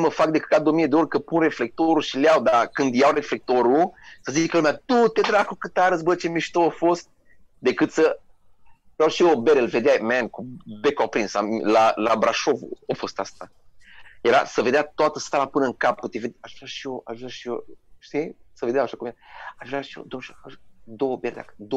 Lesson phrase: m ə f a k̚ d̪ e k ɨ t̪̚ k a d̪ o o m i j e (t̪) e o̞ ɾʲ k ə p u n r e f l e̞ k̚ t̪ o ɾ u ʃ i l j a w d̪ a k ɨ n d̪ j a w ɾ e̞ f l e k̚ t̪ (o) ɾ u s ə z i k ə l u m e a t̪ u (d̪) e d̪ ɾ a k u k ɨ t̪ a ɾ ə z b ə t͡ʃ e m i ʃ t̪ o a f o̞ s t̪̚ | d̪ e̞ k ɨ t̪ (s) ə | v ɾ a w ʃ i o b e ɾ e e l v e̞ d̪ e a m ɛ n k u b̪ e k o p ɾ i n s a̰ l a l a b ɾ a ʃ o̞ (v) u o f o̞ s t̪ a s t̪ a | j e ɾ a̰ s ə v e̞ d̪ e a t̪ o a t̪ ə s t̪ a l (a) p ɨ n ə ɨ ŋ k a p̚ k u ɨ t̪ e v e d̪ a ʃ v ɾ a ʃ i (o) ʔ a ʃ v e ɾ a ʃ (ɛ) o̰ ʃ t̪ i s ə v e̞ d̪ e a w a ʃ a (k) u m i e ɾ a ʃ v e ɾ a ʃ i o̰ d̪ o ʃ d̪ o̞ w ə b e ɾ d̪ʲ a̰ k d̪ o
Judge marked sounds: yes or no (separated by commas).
no, yes, no, yes, yes, yes, yes, no, yes